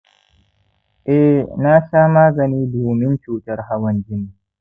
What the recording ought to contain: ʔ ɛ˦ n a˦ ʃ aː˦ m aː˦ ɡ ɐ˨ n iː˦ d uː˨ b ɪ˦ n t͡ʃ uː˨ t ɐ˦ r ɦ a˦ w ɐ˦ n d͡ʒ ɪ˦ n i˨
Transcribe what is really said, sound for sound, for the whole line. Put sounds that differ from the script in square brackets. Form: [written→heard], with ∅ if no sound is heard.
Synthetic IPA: ʔ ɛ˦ n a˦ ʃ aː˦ m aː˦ ɡ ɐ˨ n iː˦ d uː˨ [b→m] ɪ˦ n t͡ʃ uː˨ t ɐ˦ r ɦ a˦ w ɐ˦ n d͡ʒ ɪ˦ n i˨